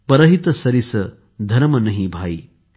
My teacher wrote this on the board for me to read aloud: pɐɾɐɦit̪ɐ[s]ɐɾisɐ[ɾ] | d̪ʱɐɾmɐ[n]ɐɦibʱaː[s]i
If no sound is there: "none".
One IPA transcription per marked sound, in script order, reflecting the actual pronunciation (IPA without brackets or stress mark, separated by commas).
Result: s, none, n, none